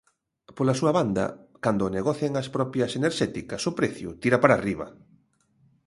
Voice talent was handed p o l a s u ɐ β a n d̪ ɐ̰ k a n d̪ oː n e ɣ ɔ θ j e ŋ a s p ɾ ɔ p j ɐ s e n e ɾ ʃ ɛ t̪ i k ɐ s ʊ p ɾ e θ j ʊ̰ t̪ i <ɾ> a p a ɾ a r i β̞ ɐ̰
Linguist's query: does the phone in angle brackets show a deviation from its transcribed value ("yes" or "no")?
no